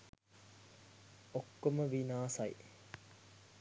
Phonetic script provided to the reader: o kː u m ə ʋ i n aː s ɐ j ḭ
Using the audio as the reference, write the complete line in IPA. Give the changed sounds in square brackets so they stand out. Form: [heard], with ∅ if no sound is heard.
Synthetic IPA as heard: o kː [o] m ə ʋ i n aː s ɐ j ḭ